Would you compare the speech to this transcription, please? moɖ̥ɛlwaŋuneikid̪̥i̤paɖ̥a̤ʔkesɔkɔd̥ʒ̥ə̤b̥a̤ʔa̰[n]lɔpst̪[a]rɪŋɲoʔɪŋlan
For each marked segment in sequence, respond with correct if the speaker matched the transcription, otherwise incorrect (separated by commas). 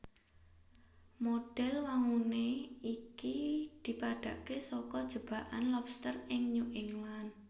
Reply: correct, incorrect